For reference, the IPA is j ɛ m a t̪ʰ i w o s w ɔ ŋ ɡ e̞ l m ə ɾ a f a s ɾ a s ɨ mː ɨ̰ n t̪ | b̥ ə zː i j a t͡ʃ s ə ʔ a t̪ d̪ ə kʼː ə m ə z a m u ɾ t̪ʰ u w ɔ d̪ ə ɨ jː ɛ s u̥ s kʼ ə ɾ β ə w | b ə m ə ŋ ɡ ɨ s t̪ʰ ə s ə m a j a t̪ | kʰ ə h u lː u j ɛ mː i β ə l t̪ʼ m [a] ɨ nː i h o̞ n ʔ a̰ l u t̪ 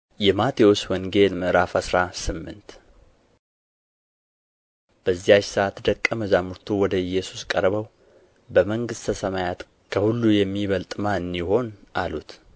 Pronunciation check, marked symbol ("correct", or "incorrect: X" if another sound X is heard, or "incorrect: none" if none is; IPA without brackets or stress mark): correct